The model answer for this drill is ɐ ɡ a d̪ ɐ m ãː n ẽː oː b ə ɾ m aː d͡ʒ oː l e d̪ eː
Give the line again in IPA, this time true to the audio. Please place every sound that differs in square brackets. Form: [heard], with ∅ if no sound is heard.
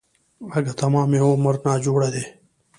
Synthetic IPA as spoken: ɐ ɡ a [t̪] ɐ m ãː [m] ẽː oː [m] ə ɾ [n] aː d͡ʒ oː [ɽ] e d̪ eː

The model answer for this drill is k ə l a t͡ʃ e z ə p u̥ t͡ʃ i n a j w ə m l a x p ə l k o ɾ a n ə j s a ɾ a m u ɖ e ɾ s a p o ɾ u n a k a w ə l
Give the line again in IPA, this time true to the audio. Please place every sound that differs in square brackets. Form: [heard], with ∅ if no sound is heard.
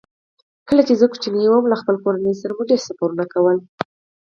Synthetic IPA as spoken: k ə l a t͡ʃ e z ə [k] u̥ t͡ʃ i n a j w ə m l a x p ə l k o ɾ a n ə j s a ɾ a m u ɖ e ɾ s a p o ɾ u n a k a w ə l

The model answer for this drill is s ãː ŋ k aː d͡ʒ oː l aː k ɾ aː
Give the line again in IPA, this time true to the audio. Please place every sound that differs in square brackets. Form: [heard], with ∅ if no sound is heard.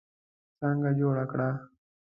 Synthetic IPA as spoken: s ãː ŋ [ɡ] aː d͡ʒ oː [ɽ] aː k [ɽ] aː

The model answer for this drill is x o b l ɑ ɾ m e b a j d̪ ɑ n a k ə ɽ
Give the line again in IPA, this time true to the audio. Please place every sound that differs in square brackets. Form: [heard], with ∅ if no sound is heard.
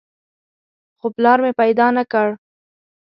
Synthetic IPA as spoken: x o [p] l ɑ ɾ m e [p] a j d̪ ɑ n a k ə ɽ

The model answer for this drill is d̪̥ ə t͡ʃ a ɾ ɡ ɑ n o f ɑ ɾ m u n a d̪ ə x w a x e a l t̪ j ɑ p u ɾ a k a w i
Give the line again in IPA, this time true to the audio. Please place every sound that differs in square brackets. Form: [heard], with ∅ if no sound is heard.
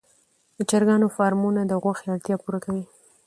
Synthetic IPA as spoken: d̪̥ ə t͡ʃ a ɾ ɡ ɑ n o f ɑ ɾ m u n a d̪ ə [ɣ] w a x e a [ɽ] t̪ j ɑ p u ɾ a k a w i

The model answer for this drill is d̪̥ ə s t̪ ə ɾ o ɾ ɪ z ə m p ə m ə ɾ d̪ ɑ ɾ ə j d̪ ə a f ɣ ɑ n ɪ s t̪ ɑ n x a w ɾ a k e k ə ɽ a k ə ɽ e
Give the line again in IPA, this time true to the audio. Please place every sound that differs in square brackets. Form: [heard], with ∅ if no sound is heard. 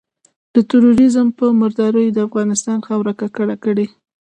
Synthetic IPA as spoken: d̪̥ ə [∅] t̪ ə ɾ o ɾ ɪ z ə m p ə m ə ɾ d̪ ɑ ɾ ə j d̪ ə a f ɣ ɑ n ɪ s t̪ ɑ n x a w ɾ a k [a] k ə ɽ a k ə ɽ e

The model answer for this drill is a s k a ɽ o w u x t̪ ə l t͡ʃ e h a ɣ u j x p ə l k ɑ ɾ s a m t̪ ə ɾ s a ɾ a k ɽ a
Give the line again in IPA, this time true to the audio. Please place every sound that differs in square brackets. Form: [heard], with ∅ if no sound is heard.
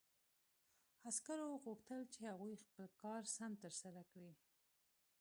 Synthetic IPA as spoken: a s k a [ɾ] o [ɣ] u x t̪ ə l t͡ʃ e h a ɣ u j x p ə l k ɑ ɾ s a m t̪ ə ɾ s a ɾ a k ɽ [i]

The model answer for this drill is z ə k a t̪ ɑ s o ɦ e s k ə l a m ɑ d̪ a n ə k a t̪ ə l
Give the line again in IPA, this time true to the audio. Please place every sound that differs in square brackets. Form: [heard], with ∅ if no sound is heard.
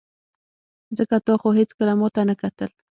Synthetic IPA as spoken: z ə k a t̪ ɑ [x] o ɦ e [t͡s] k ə l a m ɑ [t̪] a n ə k a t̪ ə l

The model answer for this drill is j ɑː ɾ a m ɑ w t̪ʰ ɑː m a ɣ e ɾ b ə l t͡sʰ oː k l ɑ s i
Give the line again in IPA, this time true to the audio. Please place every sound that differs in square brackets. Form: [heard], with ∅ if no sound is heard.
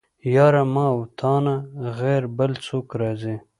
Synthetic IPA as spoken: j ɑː ɾ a m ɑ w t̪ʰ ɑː [n] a ɣ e ɾ b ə l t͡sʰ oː k [ɾ] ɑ [z] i

